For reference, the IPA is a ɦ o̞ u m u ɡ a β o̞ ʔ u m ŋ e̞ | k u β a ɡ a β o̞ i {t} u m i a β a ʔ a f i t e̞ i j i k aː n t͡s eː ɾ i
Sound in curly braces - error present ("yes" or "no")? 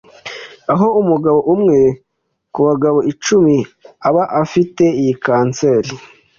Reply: yes